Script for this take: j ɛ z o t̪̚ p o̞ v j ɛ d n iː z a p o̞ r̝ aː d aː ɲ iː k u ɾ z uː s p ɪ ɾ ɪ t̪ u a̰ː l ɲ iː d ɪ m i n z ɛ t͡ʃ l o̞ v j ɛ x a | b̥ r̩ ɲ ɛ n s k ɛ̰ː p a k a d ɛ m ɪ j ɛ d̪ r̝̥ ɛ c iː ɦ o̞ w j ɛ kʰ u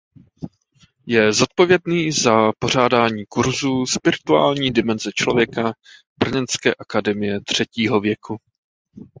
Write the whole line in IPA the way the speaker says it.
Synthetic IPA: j ɛ z o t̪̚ p o̞ v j ɛ d n iː z a p o̞ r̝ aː d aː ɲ iː k u ɾ z uː s p ɪ ɾ ɪ t̪ u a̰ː l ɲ iː d ɪ m ɛ n z ɛ t͡ʃ l o̞ v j ɛ k a | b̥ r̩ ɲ ɛ n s k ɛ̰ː ʔ a k a d ɛ m ɪ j ɛ t̪ r̝̥ ɛ c iː ɦ o̞ v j ɛ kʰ u